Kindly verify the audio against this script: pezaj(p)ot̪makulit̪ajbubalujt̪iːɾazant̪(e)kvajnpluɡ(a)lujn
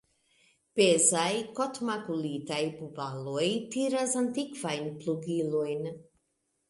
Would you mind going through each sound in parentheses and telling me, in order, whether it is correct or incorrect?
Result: incorrect: k, incorrect: i, incorrect: i

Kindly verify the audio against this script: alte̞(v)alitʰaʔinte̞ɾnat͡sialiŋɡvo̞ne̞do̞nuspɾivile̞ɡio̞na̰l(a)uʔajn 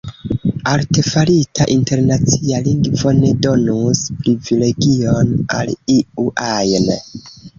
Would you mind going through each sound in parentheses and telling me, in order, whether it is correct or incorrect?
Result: incorrect: f, incorrect: i

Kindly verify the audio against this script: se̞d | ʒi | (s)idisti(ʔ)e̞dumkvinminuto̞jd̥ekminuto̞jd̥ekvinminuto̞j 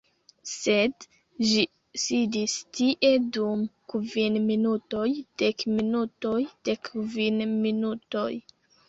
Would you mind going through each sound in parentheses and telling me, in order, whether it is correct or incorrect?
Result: correct, correct

